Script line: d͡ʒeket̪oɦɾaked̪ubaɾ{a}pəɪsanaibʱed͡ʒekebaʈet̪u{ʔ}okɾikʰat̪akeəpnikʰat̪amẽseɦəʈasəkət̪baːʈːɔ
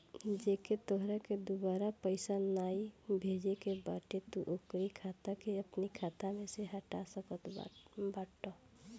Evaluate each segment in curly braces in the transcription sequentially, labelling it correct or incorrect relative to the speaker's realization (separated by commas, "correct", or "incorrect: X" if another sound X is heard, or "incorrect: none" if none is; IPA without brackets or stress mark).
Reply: correct, correct